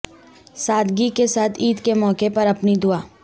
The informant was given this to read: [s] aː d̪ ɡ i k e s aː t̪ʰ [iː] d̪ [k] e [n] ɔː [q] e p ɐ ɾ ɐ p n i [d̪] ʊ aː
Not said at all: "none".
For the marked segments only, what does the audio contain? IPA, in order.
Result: s, iː, k, m, k, d̪

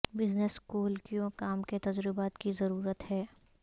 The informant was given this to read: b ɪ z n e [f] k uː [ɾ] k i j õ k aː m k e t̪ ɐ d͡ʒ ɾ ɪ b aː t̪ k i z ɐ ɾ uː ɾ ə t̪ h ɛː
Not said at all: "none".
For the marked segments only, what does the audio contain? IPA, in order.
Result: s, l

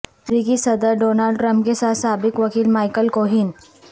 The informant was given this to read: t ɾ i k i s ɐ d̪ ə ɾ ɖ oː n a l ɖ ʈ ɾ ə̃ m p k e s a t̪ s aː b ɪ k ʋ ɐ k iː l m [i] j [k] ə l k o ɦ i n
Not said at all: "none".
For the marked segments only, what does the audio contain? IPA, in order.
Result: a, k

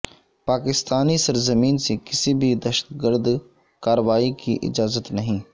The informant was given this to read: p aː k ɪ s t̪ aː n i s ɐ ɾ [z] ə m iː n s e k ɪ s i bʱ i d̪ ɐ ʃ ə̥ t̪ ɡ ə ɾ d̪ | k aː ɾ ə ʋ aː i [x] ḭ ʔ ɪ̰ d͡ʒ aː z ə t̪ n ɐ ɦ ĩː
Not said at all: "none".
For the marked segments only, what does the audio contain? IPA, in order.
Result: z, k

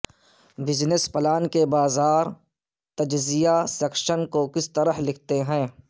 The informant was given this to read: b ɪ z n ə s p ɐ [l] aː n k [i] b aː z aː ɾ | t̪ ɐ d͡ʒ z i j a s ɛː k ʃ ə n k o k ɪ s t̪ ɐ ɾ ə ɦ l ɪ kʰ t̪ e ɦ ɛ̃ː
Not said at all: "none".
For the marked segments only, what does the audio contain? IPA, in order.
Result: l, e

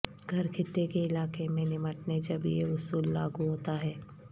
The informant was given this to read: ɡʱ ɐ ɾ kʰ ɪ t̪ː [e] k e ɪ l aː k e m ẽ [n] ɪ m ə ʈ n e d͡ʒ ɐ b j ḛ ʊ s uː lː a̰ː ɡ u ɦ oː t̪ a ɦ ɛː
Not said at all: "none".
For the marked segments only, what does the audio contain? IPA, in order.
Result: e, n

